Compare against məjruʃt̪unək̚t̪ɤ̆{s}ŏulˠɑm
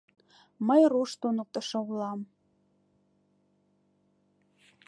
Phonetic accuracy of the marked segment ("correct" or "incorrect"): incorrect